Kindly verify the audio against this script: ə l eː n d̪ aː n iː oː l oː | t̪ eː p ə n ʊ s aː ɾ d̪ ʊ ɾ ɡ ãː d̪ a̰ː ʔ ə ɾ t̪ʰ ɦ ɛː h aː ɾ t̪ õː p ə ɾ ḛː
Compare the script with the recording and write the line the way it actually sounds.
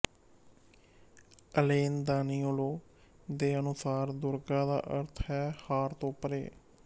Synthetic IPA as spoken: ə l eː n d̪ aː n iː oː l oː | d̪ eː ə n ʊ s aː ɾ d̪ ʊ ɾ ɡ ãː d̪ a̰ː ʔ ə ɾ t̪ʰ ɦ ɛː h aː ɾ t̪ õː p ə ɾ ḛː